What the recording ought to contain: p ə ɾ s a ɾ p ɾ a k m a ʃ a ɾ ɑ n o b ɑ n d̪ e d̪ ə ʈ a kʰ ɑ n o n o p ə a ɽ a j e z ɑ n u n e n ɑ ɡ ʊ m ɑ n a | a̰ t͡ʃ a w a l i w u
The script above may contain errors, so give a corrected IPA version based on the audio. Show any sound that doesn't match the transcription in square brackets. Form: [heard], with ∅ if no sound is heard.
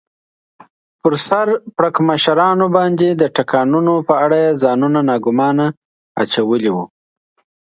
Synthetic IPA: p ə ɾ s a ɾ p [ɽ] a k m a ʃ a ɾ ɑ n o b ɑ n d̪ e d̪ ə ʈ a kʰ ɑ n [u] n o p ə a ɽ a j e z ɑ n u n [a] n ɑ ɡ ʊ m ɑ n a | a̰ t͡ʃ a w [ə] l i w u